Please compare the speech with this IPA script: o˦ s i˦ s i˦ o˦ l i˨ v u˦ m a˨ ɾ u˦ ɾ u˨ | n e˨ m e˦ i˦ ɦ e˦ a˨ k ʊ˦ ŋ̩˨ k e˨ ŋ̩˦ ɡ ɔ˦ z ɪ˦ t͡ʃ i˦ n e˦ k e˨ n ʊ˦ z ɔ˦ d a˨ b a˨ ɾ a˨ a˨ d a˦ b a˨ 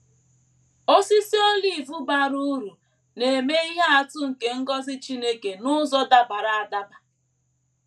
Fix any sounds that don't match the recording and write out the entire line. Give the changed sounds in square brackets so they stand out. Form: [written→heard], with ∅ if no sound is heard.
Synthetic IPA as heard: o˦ s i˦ s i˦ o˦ l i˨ v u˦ [m→b] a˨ ɾ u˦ ɾ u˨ | n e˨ m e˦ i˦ ɦ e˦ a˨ [k→t] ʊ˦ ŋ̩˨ k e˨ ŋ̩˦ ɡ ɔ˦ z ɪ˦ t͡ʃ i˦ n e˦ k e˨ n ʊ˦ z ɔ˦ d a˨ b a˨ ɾ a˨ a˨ d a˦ b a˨